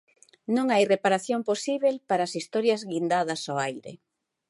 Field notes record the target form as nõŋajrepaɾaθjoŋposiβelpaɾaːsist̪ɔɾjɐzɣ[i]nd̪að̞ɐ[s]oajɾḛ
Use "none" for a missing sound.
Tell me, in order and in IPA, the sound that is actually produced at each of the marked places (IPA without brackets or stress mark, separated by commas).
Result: i, s